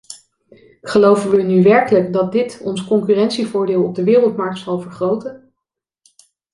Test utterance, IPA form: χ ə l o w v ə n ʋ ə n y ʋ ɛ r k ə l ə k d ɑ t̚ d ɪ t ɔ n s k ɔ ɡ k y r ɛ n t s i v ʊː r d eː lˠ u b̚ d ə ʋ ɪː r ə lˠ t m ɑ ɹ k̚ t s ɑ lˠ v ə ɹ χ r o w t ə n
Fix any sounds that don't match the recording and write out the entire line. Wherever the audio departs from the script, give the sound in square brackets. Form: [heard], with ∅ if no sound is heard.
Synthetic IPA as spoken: χ ə l o w v ə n ʋ ə n y ʋ ɛ [ɹ] k ə l ə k d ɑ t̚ d ɪ t ɔ n s k ɔ [ŋ] k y r ɛ n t s i v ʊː [ɹ] d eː lˠ [ɔ] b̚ d ə ʋ ɪː r ə lˠ t m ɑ ɹ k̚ t s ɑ lˠ v ə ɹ χ r o w t ə n